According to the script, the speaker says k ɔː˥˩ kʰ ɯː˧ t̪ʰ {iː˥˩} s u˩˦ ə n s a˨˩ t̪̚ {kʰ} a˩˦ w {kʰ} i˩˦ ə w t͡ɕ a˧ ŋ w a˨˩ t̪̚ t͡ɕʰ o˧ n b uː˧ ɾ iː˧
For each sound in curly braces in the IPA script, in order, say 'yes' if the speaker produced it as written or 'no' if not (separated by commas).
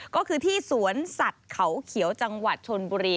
yes, yes, yes